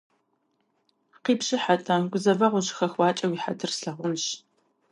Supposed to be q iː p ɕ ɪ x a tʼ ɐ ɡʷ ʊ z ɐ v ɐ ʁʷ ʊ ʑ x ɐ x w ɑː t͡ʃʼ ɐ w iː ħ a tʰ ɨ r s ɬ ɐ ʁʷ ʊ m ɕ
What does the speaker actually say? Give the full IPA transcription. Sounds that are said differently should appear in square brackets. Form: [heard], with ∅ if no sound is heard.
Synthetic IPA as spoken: q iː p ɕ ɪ [ħ] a tʼ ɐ ɡʷ ʊ z ɐ v ɐ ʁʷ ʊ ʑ x ɐ x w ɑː t͡ʃʼ ɐ w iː ħ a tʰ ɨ r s ɬ ɐ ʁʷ ʊ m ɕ

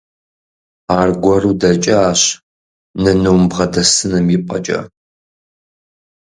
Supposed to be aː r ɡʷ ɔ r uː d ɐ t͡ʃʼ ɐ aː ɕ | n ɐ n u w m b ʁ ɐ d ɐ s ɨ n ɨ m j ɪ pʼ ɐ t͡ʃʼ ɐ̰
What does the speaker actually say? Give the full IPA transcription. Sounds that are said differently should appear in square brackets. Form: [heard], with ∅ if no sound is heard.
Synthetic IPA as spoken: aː r ɡʷ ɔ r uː d ɐ t͡ʃʼ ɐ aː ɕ | n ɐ n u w m b ʁ ɐ d ɐ s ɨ n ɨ m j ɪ pʼ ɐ t͡ʃʼ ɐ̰

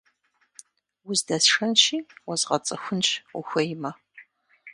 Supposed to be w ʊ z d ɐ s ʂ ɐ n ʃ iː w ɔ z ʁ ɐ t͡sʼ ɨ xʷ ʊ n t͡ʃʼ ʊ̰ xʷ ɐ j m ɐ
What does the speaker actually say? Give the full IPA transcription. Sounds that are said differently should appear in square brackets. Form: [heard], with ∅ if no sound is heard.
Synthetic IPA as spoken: w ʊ z d ɐ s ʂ ɐ n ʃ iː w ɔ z ʁ ɐ t͡sʼ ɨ xʷ ʊ n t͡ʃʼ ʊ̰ xʷ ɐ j m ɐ

